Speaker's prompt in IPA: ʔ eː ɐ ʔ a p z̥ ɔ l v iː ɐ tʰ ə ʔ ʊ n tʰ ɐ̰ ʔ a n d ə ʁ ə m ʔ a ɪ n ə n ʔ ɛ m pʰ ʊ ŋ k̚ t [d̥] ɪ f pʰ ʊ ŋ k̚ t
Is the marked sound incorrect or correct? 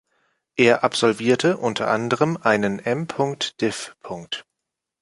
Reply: correct